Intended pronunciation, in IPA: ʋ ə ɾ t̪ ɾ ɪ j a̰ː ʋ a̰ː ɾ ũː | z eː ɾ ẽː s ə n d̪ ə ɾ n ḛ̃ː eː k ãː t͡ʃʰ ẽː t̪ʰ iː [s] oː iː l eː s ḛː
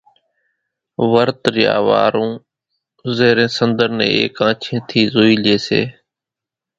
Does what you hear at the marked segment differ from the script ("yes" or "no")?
yes